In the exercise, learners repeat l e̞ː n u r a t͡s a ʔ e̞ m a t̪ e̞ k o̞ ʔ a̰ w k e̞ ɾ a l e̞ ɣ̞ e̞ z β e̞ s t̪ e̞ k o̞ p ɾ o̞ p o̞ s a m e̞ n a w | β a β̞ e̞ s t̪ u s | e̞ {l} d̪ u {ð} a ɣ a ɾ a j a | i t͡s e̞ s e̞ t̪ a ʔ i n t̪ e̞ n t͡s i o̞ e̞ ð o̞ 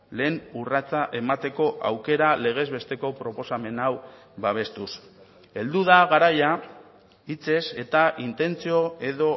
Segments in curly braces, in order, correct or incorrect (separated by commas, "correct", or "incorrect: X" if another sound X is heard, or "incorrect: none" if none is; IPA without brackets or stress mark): correct, correct